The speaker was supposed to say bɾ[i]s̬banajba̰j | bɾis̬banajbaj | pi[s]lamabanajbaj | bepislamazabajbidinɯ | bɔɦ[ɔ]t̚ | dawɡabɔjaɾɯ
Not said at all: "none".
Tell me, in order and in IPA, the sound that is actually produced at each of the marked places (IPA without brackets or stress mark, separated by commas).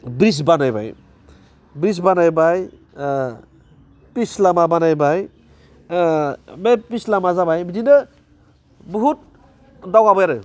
i, s, u